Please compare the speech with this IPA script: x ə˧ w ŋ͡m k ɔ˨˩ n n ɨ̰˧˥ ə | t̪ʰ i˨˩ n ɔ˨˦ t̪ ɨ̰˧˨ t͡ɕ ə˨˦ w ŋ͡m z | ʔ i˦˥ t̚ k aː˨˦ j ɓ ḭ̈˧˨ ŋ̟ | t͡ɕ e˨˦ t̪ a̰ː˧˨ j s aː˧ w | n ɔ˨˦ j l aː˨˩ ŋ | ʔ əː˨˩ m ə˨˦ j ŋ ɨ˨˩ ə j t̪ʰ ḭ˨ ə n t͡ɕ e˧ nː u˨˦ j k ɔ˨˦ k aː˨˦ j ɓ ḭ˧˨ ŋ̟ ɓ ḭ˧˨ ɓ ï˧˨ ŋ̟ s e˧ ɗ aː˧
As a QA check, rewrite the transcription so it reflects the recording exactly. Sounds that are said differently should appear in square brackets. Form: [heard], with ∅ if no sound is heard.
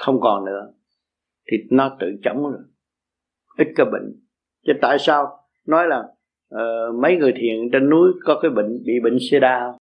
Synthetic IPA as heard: x ə˧ w ŋ͡m k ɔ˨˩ n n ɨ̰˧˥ ə | t̪ʰ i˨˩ n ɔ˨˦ t̪ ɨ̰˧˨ t͡ɕ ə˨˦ w ŋ͡m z | ʔ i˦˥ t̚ k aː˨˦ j ɓ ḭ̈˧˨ ŋ̟ | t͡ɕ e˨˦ t̪ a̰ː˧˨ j s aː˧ w | n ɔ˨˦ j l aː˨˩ ŋ | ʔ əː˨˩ m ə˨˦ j ŋ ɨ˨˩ ə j t̪ʰ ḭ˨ ə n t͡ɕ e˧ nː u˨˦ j k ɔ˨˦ k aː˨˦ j ɓ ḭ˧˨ ŋ̟ ɓ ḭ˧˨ ɓ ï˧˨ ŋ̟ s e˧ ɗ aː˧